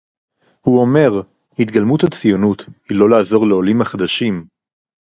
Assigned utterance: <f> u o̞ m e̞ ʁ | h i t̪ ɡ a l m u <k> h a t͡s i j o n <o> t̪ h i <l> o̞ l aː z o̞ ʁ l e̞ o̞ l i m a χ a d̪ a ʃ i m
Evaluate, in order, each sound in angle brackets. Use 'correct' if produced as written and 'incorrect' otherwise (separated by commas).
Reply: incorrect, incorrect, incorrect, correct